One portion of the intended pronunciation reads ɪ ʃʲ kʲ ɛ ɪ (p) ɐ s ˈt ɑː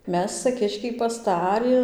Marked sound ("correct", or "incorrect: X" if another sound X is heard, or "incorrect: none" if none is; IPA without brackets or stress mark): correct